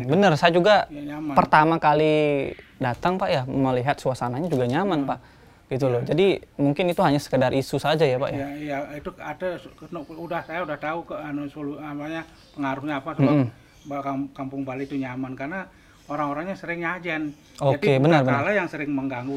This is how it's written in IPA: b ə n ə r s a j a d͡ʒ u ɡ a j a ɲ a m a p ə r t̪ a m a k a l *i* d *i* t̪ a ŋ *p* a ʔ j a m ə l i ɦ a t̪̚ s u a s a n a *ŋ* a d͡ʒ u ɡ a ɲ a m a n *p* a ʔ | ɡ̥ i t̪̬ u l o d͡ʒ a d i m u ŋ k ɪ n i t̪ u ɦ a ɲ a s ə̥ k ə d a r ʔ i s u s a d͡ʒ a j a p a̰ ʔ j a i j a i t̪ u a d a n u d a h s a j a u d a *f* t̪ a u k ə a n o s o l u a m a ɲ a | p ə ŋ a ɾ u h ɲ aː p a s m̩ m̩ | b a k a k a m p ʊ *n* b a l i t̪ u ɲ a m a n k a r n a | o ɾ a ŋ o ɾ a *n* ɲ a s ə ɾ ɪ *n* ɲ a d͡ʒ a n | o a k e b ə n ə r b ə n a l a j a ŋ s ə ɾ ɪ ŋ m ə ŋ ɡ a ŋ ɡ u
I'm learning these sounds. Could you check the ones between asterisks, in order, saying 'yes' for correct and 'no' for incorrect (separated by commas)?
yes, no, yes, no, yes, no, no, no, no